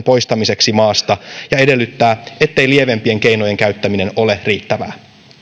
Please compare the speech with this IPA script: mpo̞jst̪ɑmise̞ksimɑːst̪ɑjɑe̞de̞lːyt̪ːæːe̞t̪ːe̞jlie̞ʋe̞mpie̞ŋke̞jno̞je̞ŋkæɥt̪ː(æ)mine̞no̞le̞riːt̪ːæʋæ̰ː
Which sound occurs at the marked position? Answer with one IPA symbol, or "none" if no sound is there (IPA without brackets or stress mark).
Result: æ